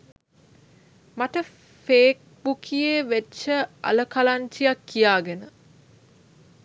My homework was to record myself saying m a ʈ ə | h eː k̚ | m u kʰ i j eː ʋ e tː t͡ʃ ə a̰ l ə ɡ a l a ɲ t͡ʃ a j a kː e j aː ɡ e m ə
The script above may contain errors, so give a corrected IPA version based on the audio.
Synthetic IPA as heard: m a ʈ ə | f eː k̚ | b u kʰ i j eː ʋ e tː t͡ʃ ə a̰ l ə k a l a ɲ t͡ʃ i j a kː i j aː ɡ e n ə